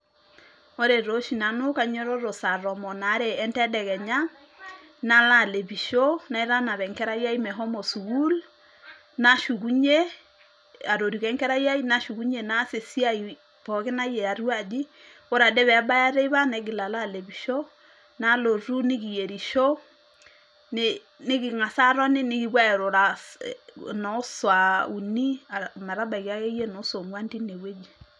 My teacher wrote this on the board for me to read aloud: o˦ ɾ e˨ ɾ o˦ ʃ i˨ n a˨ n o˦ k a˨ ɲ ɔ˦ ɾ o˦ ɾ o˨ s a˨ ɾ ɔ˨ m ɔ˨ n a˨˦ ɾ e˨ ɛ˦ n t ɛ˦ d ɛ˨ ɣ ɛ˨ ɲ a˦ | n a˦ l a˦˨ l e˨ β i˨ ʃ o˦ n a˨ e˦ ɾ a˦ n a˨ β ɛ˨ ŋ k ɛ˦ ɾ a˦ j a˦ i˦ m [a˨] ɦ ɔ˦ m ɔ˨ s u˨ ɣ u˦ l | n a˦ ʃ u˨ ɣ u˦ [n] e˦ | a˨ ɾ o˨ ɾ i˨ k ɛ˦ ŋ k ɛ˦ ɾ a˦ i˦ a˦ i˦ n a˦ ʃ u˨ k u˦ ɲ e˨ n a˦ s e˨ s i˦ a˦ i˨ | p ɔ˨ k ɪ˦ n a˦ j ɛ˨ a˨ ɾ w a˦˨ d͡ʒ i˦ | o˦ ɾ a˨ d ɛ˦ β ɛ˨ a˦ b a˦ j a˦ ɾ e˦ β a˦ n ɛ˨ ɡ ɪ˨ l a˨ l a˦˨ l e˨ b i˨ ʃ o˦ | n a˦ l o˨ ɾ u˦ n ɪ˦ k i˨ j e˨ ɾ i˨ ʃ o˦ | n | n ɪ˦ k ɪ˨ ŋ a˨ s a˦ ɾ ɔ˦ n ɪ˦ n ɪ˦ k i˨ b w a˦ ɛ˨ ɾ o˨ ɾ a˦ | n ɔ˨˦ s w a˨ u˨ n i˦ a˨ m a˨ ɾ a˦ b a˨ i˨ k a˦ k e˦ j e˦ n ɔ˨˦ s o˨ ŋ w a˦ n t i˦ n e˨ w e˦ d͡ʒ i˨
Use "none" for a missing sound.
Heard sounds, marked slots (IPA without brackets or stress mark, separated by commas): ɛ˨, ɲ